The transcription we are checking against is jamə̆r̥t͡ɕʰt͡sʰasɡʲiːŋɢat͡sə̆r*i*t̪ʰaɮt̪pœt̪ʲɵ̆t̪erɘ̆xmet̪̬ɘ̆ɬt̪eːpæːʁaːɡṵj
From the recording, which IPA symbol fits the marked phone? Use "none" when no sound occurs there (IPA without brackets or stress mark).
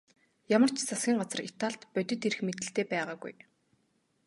i